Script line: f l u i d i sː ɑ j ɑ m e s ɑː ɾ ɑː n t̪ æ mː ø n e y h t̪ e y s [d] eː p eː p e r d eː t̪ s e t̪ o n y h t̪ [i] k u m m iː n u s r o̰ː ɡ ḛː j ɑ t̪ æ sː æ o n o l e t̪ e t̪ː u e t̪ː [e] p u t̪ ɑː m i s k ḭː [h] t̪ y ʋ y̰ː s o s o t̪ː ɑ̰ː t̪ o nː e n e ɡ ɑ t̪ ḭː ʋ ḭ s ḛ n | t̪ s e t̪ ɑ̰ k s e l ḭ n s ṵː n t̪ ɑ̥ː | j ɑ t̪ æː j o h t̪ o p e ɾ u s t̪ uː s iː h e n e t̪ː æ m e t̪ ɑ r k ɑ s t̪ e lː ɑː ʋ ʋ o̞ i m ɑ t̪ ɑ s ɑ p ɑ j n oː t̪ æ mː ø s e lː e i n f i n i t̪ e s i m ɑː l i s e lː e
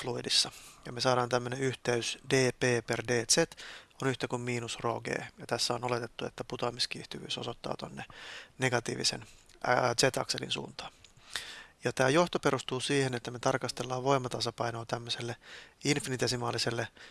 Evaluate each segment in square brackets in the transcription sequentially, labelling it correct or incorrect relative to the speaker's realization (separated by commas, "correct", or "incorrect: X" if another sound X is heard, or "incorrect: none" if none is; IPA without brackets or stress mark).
correct, incorrect: æ, incorrect: æ, correct